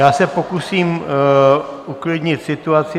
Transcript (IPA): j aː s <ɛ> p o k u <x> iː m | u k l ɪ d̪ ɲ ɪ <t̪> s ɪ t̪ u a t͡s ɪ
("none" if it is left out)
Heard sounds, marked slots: ɛ, s, t̪

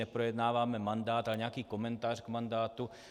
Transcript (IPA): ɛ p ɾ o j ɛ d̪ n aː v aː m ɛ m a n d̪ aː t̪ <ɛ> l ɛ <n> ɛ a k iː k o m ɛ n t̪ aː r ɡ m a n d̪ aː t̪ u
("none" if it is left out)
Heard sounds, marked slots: a, ɲ

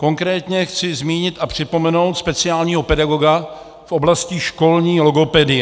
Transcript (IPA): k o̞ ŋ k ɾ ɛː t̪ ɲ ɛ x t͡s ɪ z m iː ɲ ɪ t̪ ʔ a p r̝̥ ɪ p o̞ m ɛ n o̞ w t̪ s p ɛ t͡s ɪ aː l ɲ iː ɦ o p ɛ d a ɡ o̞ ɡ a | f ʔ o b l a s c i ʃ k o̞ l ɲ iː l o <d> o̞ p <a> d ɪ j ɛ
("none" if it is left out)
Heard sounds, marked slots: ɡ, ɛ

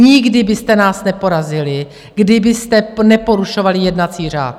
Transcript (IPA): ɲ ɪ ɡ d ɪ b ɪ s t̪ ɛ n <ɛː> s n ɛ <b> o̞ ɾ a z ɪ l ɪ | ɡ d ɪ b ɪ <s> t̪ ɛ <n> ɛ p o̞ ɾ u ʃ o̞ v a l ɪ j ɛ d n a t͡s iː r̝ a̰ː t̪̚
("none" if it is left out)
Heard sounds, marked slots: aː, p, s, n

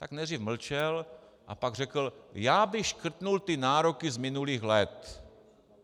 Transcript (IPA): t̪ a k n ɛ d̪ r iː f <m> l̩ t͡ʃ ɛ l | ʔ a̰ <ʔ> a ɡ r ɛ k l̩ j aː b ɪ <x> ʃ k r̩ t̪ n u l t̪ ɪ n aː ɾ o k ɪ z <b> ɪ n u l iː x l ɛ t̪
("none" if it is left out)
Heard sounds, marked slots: m, p, x, m

